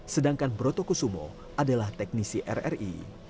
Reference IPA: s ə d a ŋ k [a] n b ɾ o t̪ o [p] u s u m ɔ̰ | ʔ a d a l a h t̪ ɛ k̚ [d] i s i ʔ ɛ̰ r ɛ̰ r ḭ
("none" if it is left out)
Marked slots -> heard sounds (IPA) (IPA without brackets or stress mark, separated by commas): a, k, n